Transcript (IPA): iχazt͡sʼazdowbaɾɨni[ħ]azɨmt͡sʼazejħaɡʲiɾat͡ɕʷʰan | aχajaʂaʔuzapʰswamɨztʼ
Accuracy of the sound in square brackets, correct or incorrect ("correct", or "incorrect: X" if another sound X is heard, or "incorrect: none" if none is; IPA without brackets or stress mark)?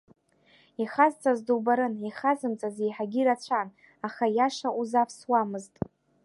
incorrect: χ